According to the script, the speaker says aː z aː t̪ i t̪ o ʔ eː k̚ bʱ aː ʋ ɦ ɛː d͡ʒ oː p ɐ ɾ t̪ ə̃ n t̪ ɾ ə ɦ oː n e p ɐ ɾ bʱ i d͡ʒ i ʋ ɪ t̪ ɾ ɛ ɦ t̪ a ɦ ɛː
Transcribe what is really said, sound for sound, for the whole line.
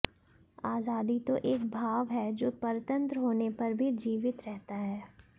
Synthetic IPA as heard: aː z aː d̪ i t̪ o ʔ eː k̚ bʱ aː ʋ ɦ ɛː d͡ʒ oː p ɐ ɾ t̪ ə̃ n t̪ ɾ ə ɦ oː n e p ɐ ɾ bʱ i d͡ʒ iː ʋ ɪ t̪ ɾ ɛ ɦ t̪ a ɦ ɛː